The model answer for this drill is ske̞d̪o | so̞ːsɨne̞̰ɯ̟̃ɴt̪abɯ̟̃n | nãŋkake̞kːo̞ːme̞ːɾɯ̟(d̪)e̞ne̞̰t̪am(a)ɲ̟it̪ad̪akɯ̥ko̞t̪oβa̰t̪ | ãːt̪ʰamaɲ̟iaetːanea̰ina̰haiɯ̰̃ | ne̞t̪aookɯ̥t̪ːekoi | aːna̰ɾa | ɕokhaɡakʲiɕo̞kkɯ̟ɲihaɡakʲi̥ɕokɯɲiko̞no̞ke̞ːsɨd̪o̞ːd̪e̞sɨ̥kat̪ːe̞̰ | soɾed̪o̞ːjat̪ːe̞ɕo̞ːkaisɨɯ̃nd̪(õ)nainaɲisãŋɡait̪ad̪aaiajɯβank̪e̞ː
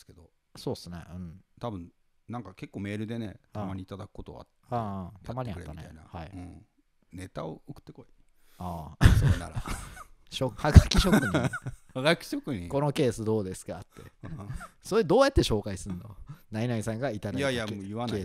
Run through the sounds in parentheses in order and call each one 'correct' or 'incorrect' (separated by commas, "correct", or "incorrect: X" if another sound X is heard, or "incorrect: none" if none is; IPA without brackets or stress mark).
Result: correct, correct, incorrect: o